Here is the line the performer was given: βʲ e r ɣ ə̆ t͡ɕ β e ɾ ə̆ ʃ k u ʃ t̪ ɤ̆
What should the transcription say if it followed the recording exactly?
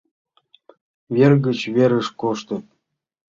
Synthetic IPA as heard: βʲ e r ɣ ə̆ t͡ɕ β e ɾ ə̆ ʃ k o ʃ t̪ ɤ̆